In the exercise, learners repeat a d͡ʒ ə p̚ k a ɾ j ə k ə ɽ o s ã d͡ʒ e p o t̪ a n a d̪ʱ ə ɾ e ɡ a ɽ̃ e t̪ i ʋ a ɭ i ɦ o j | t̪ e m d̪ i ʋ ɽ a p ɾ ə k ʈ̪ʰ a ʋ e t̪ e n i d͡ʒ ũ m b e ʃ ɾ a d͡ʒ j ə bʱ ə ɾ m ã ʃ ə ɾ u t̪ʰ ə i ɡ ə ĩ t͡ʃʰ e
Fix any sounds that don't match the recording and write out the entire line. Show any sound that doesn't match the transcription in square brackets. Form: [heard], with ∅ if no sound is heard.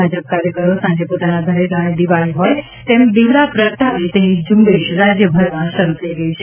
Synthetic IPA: a d͡ʒ ə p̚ k a ɾ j ə k ə [ɾ] o s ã d͡ʒ e p o t̪ a n a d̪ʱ ə ɾ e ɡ a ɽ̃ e [d̪] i ʋ a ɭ i ɦ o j | t̪ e m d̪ i ʋ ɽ a p ɾ ə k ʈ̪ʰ a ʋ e t̪ e n i d͡ʒ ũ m b e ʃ ɾ a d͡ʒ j ə bʱ ə ɾ m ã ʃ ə ɾ u t̪ʰ ə i ɡ ə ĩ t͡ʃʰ e

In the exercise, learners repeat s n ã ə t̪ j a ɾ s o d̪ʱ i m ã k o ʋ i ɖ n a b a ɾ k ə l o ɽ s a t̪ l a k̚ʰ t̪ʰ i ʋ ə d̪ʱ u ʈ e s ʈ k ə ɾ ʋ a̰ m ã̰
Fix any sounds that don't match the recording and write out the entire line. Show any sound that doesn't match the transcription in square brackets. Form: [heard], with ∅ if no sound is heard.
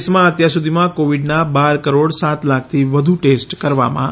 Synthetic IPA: s [m] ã ə t̪ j a ɾ s [u] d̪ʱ i m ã k o ʋ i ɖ n a b a ɾ k ə [ɾ] o ɽ s a t̪ l a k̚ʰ t̪ʰ i ʋ ə d̪ʱ u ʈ e s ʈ k ə ɾ ʋ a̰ m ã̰

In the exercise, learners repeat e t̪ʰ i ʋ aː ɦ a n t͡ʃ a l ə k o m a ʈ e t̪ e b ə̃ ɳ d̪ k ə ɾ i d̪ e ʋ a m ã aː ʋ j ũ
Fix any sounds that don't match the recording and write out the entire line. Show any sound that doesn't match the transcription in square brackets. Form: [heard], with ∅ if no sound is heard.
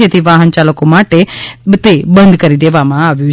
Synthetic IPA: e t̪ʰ i ʋ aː ɦ [ə] n t͡ʃ a l ə k o m a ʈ e t̪ e b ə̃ [n] d̪ k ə ɾ i d̪ e ʋ a m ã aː ʋ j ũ

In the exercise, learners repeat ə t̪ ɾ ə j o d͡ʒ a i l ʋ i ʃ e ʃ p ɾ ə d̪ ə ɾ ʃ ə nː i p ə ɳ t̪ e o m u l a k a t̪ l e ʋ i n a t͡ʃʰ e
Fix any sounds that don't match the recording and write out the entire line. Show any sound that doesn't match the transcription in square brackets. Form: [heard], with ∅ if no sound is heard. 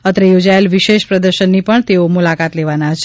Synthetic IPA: ə t̪ ɾ ə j o d͡ʒ a [e] l ʋ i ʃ e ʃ p ɾ ə d̪ ə ɾ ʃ ə nː i p ə ɳ t̪ e o m u l a k a t̪ l e ʋ [a] n a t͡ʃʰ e

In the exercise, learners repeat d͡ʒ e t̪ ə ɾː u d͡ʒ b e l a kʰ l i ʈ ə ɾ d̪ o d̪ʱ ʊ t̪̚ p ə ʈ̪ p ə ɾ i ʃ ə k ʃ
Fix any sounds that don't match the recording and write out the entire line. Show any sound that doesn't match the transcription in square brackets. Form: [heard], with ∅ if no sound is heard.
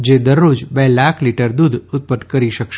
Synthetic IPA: d͡ʒ e [d̪] ə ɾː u d͡ʒ b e l a kʰ l i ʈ ə ɾ d̪ [u] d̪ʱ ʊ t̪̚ p ə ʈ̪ [k] ə ɾ i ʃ ə k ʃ

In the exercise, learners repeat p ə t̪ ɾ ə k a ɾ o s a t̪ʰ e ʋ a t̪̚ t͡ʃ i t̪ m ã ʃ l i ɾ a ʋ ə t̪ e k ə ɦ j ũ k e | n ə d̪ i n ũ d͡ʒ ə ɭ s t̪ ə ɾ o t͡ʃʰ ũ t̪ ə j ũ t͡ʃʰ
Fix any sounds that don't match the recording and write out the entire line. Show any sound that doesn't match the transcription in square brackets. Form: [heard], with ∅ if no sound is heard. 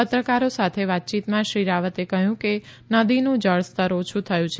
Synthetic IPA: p ə t̪ ɾ ə k a ɾ o s a t̪ʰ e ʋ a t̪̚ t͡ʃ i t̪ m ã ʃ [ɾ] i ɾ a ʋ ə t̪ e k ə ɦ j ũ k e | n ə d̪ i n ũ d͡ʒ ə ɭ s t̪ ə ɾ o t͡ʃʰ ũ [t̪ʰ] ə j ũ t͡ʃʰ

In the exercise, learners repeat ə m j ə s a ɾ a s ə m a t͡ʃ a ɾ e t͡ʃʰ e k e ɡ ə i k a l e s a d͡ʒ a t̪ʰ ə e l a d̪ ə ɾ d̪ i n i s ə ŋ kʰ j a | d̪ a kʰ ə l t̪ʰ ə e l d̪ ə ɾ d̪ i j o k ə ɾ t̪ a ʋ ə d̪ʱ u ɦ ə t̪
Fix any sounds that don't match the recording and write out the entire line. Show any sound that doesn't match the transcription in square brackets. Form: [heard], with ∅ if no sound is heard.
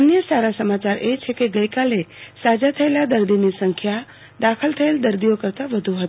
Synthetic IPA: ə [n] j ə s a ɾ a s ə m a t͡ʃ a ɾ e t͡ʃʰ e k e ɡ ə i k a l e s a d͡ʒ a t̪ʰ ə e l a d̪ ə ɾ d̪ i n i s ə ŋ kʰ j a | d̪ a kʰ ə l t̪ʰ ə e l d̪ ə ɾ d̪ i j o k ə ɾ t̪ a ʋ ə d̪ʱ u ɦ ə t̪

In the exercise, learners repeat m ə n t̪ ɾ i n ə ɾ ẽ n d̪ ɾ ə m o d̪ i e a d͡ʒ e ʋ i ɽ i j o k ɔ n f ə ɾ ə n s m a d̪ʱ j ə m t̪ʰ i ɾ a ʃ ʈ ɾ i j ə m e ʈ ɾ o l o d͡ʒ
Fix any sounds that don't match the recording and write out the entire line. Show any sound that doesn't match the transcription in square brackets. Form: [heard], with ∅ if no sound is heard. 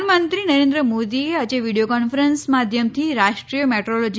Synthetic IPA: m ə n t̪ ɾ i n ə ɾ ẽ n d̪ ɾ ə m o d̪ i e a d͡ʒ e ʋ i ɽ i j o k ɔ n f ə ɾ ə n s m a d̪ʱ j ə m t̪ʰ i ɾ a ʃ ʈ ɾ i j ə m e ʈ ɾ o l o d͡ʒ

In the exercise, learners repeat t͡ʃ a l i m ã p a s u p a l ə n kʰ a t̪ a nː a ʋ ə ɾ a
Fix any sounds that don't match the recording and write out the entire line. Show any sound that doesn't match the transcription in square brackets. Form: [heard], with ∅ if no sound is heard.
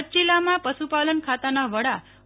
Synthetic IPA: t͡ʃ [i] l [a] m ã p [ə] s u p a l ə n kʰ a t̪ a [n] a ʋ ə [ɽ] a

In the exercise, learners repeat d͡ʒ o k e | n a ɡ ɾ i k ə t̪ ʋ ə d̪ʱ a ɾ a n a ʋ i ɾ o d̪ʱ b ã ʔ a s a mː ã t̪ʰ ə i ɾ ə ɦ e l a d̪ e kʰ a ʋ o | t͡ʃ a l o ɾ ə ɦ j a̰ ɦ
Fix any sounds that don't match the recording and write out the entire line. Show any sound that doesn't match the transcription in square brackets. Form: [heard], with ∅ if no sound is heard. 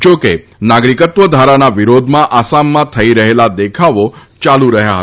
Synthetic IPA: d͡ʒ o k e | n a ɡ ɾ i k ə t̪ ʋ ə d̪ʱ a ɾ a n a ʋ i ɾ o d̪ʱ [m] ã ʔ a s a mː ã t̪ʰ ə i ɾ ə ɦ e l a d̪ e kʰ a ʋ o | t͡ʃ a l [u] ɾ ə ɦ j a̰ ɦ

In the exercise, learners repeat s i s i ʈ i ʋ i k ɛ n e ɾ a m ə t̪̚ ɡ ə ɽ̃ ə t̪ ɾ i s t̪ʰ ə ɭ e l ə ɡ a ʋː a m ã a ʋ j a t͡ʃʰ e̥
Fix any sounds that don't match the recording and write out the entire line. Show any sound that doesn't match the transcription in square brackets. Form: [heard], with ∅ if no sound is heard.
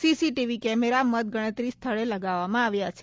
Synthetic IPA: s i s i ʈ i ʋ i k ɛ [m] e ɾ a m ə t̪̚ ɡ ə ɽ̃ ə t̪ ɾ i s t̪ʰ ə ɭ e l ə ɡ a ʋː a m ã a ʋ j a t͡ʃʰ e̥

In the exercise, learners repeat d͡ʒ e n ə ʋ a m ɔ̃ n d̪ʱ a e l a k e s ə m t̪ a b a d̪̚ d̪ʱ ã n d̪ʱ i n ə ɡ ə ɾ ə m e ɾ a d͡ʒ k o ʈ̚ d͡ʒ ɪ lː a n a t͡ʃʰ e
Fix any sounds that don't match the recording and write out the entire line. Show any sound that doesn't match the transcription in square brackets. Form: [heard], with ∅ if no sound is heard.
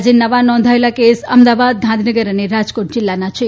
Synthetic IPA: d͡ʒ e n ə ʋ a [n] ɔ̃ n d̪ʱ a e l a k e s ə m [d̪] a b a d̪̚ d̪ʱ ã n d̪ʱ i n ə ɡ ə ɾ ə [n] e ɾ a d͡ʒ k o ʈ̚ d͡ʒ ɪ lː a n a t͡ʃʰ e

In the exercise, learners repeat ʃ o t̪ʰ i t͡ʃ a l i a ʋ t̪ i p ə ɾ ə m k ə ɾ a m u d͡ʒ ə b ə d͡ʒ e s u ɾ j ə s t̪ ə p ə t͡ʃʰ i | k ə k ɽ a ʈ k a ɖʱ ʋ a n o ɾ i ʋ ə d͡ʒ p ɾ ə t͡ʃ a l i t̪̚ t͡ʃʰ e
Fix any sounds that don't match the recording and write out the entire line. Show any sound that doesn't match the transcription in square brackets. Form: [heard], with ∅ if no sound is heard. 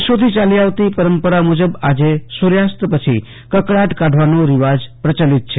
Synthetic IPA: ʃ o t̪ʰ i t͡ʃ a l i a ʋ t̪ i p ə ɾ ə m [p] ə ɾ a m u d͡ʒ ə b [a] d͡ʒ e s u ɾ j [a] s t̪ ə p ə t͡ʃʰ i | k ə k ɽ a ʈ k a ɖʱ ʋ a n o ɾ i ʋ [a] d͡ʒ p ɾ ə t͡ʃ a l i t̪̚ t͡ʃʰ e

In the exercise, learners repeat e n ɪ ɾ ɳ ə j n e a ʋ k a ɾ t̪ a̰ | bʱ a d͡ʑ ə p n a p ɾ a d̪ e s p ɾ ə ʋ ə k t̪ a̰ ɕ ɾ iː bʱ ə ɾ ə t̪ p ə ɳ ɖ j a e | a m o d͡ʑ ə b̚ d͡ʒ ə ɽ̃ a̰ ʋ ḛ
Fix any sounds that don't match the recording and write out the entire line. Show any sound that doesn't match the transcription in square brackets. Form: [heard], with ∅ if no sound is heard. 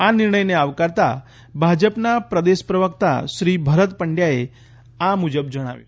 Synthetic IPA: [a] n [i] ɾ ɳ ə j n e a ʋ k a ɾ t̪ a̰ | bʱ a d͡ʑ ə p n a p ɾ [ə] d̪ e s p ɾ ə ʋ ə k t̪ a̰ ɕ ɾ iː bʱ ə ɾ ə t̪ p ə ɳ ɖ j a e | a m [u] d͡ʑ ə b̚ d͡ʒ ə ɽ̃ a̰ ʋ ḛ

